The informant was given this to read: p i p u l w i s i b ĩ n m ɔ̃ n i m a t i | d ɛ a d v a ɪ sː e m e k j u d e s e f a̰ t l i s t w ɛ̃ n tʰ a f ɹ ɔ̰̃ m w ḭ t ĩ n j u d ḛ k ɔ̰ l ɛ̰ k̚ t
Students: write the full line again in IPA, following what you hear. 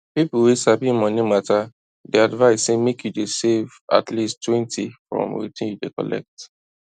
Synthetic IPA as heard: p i p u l w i s a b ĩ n m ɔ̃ n i m a t a | d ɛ a d v a ɪ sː e m e k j u d e s e v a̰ t l i s t w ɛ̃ n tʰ i f ɹ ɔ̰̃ m w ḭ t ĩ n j u d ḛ k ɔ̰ l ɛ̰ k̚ t